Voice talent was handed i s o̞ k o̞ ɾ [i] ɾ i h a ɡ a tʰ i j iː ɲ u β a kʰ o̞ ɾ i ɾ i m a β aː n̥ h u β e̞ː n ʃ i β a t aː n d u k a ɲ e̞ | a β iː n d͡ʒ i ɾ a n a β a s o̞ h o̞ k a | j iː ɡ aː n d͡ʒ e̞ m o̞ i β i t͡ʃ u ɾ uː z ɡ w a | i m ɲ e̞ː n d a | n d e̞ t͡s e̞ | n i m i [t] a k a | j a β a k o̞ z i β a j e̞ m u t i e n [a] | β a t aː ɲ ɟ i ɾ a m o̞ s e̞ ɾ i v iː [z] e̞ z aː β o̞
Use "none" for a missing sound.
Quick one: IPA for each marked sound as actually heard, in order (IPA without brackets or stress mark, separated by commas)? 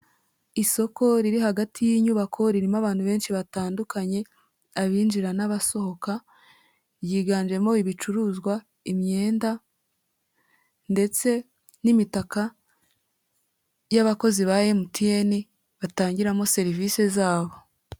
i, t, i, s